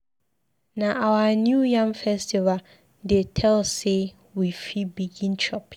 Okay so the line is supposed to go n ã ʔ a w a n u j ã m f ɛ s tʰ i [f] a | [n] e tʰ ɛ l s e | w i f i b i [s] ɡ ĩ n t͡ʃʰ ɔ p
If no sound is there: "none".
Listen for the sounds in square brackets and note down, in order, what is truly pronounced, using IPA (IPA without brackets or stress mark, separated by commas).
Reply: v, d, none